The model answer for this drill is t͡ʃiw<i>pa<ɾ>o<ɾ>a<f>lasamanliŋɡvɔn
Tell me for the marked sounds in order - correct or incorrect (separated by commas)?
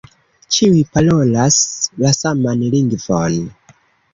correct, incorrect, incorrect, incorrect